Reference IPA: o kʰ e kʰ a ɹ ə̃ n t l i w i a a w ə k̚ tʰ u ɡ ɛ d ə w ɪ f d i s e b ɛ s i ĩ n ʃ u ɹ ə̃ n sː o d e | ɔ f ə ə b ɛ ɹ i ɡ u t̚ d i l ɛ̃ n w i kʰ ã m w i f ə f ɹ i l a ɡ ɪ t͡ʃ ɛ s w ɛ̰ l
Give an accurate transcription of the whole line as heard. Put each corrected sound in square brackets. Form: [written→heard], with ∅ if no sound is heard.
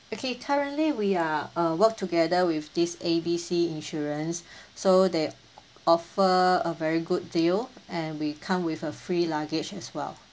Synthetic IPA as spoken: o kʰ e kʰ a ɹ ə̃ n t l i w i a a w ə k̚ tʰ u ɡ ɛ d ə w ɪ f d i s e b [ɛ→i] s i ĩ n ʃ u ɹ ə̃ n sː o d e | ɔ f ə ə [b→v] ɛ ɹ i ɡ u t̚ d i l ɛ̃ n w i kʰ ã m w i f ə f ɹ i l a ɡ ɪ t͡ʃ ɛ s w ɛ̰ l

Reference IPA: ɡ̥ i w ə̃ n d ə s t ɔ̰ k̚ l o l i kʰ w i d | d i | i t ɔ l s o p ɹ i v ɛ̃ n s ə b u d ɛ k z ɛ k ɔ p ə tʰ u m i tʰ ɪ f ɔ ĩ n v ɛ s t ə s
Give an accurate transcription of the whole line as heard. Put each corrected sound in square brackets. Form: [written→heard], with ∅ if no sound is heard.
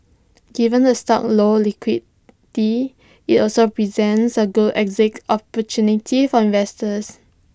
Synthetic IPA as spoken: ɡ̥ i [w→v] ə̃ n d ə s t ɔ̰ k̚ l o l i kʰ w i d | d i | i t ɔ l s o p ɹ i [v→z] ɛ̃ n s ə [b→ɡ] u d ɛ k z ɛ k ɔ p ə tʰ u [m→n] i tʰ [ɪ→i] f ɔ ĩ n v ɛ s t ə s

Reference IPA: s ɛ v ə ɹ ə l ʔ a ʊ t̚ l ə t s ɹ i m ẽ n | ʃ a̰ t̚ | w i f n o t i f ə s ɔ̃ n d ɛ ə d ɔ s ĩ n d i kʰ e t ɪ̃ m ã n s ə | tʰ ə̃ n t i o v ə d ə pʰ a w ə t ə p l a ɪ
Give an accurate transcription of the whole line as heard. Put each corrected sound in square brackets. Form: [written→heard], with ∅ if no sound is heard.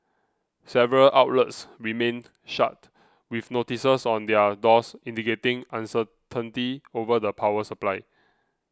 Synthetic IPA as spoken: s ɛ v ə ɹ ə l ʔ a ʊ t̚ l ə t s ɹ i m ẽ n | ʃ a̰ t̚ | w i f n o t i [f→s] ə s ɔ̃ n d ɛ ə d ɔ s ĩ n d i [kʰ→k] e t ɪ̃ [m→ŋ] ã n s ə | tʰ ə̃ n t i o v ə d ə pʰ a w ə [t→s] ə p l a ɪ

